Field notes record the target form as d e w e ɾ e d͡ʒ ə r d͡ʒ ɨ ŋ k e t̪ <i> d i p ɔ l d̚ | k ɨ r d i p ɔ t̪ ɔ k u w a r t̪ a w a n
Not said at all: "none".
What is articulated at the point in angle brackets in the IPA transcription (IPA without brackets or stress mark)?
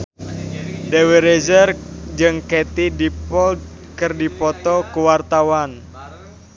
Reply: i